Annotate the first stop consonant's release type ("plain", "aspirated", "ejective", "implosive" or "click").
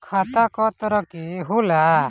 aspirated